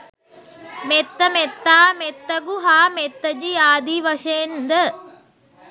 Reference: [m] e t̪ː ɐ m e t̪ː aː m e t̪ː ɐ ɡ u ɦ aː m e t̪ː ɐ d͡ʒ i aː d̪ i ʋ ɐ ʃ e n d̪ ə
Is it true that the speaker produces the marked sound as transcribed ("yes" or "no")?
yes